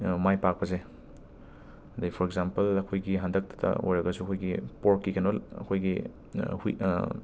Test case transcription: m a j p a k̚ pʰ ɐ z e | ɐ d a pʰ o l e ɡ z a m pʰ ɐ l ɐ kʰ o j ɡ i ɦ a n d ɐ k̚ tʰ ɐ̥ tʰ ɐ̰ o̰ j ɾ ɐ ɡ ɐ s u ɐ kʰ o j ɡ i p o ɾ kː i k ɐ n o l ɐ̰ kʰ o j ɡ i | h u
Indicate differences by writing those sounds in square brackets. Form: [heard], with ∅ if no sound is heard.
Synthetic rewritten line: m a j p a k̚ [p] ɐ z e | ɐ d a pʰ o [ɾ] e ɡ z a m [p] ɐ l ɐ kʰ o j ɡ i ɦ a n d ɐ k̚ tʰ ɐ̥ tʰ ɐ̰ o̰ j ɾ ɐ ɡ ɐ s u ɐ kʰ o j ɡ i p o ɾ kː i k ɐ n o l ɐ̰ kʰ o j ɡ i | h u